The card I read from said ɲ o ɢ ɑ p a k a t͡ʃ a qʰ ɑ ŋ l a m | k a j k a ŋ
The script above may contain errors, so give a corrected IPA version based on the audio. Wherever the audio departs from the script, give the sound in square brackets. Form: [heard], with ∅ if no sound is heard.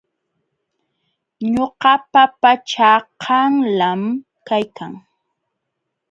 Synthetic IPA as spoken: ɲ o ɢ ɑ p a [p] a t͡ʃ a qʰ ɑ ŋ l a m | k a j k a ŋ

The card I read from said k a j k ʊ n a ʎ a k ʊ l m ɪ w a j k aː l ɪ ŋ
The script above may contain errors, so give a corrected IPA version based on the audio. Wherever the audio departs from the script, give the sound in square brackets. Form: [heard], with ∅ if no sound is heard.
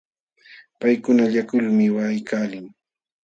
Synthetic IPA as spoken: [p] a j k ʊ n a ʎ a k ʊ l m ɪ w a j k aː l ɪ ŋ

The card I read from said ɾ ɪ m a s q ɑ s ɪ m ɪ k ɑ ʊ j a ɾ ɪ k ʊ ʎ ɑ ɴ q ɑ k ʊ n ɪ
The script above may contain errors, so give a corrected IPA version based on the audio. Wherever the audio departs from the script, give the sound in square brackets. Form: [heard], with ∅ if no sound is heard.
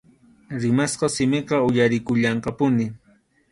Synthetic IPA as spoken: ɾ ɪ m a s q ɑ s ɪ m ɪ [q] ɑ ʊ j a ɾ ɪ k ʊ ʎ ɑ ɴ q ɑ [p] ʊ n ɪ

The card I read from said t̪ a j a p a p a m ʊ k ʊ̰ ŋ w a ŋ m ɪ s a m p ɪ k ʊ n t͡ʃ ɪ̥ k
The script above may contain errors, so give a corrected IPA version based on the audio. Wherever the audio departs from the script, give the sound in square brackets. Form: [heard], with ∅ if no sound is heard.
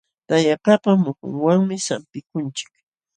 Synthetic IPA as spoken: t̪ a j a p a p a m ʊ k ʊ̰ ŋ w a ŋ m ɪ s a m p ɪ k ʊ n t͡ʃ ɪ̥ k

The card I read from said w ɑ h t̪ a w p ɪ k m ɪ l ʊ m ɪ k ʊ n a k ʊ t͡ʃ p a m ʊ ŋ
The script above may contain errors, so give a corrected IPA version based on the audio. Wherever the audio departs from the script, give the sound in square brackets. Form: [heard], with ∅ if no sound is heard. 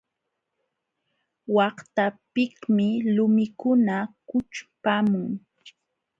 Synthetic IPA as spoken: w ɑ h t̪ a [∅] p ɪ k m ɪ l ʊ m ɪ k ʊ n a k ʊ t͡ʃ p a m ʊ ŋ

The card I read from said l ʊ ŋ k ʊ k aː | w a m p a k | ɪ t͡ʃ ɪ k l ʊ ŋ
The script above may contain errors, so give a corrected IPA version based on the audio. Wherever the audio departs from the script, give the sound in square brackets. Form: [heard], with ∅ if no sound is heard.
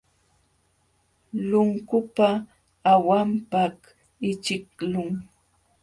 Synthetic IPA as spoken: l ʊ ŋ k ʊ [p] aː | w a m p a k | ɪ t͡ʃ ɪ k l ʊ ŋ

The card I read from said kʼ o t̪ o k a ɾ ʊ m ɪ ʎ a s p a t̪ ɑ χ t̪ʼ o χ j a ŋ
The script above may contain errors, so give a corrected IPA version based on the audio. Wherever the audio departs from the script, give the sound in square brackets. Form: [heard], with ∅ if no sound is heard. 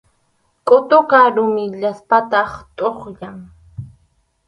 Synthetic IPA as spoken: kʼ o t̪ o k a ɾ ʊ m ɪ ʎ a s p a t̪ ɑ χ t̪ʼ o χ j a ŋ

